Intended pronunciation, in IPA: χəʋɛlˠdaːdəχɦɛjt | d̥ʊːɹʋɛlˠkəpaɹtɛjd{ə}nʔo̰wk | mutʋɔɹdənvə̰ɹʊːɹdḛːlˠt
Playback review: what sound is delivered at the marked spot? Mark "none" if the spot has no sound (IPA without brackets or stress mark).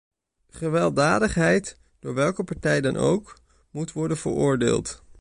ɑ